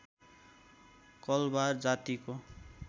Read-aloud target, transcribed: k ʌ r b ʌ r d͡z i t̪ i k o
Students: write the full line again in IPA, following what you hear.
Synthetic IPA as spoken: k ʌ l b a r d͡z a t̪ i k o